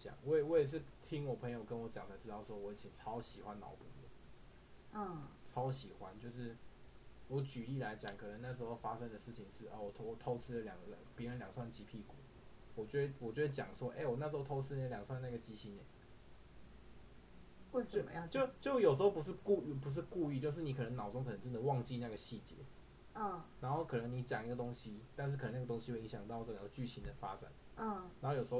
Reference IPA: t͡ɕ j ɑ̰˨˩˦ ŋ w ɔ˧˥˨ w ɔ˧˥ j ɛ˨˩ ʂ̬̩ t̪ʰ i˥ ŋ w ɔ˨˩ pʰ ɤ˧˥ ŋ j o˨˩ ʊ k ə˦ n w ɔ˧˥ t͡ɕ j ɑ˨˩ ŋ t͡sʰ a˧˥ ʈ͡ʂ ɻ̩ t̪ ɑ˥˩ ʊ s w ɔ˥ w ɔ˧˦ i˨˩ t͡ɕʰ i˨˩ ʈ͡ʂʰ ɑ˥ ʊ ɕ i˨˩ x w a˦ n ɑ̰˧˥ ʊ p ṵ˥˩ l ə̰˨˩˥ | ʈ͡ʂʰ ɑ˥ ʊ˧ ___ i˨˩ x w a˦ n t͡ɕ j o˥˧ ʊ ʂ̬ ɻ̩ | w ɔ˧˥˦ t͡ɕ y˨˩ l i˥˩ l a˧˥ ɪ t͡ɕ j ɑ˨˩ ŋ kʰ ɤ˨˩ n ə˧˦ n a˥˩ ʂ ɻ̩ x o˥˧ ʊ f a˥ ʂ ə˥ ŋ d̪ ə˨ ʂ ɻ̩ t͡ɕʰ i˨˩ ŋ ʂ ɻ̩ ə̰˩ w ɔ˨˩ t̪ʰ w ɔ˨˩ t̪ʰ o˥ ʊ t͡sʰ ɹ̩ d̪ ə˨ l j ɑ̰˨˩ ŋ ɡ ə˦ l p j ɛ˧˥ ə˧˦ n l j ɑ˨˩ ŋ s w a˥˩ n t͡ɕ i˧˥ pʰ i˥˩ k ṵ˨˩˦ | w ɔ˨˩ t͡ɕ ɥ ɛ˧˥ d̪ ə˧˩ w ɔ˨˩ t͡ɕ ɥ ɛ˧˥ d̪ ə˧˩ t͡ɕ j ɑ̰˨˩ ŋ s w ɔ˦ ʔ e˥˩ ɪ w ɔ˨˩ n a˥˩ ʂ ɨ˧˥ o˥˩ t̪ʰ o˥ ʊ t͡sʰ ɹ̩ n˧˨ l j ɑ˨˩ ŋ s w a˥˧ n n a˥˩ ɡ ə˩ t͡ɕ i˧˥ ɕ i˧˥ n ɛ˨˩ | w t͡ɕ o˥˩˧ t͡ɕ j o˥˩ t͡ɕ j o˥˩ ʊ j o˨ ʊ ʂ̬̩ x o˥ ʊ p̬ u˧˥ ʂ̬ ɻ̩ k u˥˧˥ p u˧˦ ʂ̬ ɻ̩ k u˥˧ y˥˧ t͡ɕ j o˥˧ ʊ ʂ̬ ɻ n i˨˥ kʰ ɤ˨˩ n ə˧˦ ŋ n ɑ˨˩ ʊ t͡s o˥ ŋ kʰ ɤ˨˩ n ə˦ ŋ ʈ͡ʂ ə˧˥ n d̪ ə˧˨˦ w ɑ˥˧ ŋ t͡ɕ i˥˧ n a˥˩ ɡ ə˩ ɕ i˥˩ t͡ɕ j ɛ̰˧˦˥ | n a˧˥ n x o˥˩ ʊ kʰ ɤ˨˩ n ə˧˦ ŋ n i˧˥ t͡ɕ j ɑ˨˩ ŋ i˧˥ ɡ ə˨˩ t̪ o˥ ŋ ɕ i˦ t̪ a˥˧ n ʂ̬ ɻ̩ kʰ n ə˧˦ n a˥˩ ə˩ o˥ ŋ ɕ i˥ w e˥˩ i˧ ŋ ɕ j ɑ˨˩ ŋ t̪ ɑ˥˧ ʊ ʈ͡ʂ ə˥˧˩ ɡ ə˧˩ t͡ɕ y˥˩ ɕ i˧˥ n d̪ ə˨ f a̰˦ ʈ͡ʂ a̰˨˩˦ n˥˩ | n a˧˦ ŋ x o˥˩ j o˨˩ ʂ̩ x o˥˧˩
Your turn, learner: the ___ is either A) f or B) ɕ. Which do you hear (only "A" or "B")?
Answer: B